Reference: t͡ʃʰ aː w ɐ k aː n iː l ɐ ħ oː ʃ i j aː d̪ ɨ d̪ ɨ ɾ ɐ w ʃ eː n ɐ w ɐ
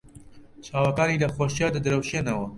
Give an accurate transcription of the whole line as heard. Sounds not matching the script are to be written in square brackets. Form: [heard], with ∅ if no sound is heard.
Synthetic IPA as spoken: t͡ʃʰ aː w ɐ k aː n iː l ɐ [x] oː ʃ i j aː d̪ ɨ d̪ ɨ ɾ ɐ w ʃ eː n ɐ w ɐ